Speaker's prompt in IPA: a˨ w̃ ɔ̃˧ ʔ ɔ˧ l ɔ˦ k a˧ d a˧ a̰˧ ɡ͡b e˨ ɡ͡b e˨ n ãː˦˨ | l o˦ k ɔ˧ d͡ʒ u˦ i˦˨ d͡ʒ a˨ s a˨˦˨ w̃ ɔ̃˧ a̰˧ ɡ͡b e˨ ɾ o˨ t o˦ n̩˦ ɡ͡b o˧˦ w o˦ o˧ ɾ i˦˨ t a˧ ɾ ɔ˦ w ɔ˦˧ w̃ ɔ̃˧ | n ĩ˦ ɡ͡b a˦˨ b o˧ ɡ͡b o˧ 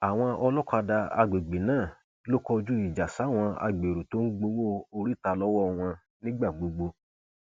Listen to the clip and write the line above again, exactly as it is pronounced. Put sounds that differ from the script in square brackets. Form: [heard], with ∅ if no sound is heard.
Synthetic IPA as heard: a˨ w̃ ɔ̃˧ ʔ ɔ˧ l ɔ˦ k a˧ d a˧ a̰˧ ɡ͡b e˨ ɡ͡b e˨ n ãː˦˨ | l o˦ k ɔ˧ d͡ʒ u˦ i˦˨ d͡ʒ a˨ s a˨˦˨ w̃ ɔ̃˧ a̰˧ ɡ͡b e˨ ɾ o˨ t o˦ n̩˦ ɡ͡b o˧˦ w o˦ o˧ ɾ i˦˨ t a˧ [l] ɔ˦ w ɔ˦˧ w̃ ɔ̃˧ | n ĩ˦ ɡ͡b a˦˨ [ɡ͡b] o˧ ɡ͡b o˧